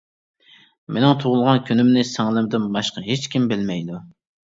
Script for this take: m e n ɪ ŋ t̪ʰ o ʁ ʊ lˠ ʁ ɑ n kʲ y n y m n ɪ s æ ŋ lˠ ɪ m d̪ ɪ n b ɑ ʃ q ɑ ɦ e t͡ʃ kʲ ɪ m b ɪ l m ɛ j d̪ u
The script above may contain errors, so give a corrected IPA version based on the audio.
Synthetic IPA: m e n ɪ ŋ t̪ʰ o ʁ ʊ lˠ ʁ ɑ n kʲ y n y m n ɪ s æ ŋ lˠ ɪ m d̪ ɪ n b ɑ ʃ q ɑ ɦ e t͡ʃ kʲ i m b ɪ l m ɛ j d̪ u